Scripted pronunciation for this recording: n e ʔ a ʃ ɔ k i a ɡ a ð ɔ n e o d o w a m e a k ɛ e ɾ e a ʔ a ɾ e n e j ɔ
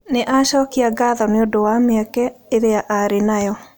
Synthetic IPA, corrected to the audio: n e ʔ a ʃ ɔ k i a ɡ a ð ɔ n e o d o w a m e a k ɛ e ɾ e a ʔ a ɾ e n a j ɔ